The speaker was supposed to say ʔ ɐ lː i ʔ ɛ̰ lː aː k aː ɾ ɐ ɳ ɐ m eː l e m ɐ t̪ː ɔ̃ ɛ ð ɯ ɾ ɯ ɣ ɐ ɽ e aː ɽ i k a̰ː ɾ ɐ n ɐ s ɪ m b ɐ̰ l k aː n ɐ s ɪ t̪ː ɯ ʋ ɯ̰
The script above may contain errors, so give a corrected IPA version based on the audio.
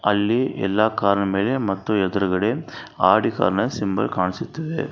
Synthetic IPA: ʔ ɐ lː i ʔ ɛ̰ lː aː k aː ɾ ɐ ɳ ɐ m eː l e m ɐ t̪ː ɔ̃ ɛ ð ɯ ɾ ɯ ɣ ɐ ɽ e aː ɽ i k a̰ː ɾ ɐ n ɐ s ɪ m b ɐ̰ l k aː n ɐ s ɪ t̪ː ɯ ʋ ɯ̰